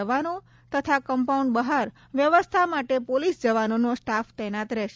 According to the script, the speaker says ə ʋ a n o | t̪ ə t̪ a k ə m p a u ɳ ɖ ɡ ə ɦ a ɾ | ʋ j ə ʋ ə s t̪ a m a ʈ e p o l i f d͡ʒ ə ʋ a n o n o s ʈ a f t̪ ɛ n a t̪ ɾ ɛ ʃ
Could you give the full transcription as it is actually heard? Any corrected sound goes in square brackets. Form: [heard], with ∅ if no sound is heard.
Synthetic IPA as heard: ə ʋ a n o | t̪ ə [t̪ʰ] a k ə m p a u ɳ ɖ [b] ə ɦ a ɾ | ʋ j ə ʋ ə s [t̪ʰ] a m a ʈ e p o l i [s] d͡ʒ ə ʋ a n o n o s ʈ a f t̪ ɛ n a t̪ ɾ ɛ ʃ